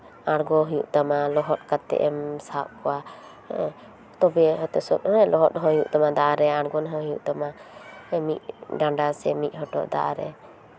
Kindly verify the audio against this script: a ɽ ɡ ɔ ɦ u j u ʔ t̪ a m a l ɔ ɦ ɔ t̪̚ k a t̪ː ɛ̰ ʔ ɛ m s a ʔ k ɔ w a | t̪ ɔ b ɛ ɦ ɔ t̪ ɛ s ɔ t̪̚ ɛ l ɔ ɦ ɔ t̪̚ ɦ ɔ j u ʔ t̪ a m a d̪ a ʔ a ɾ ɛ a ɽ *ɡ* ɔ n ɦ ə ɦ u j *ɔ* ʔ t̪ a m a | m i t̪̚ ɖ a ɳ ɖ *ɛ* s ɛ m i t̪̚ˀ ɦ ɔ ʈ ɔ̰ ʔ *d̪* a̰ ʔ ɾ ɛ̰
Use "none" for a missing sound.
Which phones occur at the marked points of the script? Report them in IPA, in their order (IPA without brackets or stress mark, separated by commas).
ɡ, u, a, d̪